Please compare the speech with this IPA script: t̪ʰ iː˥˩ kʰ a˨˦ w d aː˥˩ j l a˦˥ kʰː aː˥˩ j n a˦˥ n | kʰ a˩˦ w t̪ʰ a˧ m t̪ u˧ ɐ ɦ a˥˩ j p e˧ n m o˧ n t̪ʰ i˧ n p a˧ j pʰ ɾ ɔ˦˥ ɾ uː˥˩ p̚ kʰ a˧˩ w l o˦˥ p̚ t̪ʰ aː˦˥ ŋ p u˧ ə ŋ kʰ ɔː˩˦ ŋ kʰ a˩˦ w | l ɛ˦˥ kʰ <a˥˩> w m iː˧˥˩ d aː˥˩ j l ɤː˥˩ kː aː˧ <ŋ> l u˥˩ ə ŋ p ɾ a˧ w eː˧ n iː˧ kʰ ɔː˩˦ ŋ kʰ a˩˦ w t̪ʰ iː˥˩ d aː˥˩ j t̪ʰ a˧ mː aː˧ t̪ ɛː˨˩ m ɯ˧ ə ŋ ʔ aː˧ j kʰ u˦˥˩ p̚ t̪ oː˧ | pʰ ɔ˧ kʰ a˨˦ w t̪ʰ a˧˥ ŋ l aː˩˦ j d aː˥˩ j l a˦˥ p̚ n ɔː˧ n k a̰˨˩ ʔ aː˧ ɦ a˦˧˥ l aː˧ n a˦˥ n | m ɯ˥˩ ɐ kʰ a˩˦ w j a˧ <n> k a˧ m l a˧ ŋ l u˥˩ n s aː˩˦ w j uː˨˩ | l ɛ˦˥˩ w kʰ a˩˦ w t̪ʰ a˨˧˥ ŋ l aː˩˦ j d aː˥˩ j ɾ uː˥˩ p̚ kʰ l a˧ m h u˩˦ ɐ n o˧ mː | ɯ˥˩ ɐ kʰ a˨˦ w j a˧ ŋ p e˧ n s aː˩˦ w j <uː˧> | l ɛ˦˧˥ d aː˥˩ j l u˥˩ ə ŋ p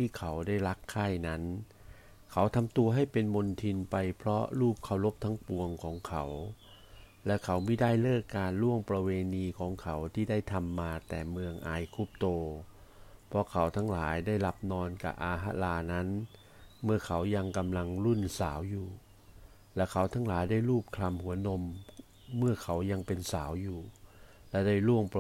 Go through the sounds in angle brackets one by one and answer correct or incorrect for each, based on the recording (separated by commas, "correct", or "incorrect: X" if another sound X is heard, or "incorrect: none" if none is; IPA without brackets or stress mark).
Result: incorrect: a˩˦, incorrect: n, incorrect: ŋ, incorrect: uː˨˩